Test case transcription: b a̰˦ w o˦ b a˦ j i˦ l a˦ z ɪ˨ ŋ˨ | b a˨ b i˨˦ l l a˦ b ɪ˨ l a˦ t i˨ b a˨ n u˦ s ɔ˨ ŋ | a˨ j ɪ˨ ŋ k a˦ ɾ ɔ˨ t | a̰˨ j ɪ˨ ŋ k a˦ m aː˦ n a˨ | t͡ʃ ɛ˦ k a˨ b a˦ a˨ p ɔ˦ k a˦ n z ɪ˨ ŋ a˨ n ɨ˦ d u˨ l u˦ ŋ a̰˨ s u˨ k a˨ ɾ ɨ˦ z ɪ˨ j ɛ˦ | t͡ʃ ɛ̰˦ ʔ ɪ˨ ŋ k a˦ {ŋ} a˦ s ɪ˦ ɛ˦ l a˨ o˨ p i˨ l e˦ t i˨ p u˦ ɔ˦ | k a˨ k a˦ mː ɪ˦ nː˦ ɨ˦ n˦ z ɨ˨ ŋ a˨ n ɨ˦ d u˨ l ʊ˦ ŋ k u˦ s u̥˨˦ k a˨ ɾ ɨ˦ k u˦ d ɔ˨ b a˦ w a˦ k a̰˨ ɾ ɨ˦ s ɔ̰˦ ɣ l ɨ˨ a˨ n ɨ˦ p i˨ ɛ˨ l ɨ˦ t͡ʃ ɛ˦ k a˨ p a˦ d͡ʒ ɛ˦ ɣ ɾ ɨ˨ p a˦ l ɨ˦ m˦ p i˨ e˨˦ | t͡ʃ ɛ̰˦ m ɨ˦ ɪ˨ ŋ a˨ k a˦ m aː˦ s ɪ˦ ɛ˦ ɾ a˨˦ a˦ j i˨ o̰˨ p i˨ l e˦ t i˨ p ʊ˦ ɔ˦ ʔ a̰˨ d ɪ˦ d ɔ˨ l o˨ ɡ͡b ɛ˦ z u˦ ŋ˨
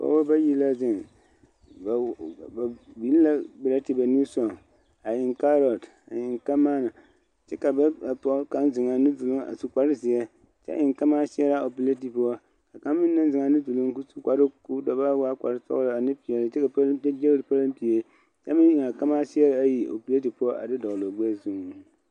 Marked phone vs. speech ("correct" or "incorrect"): incorrect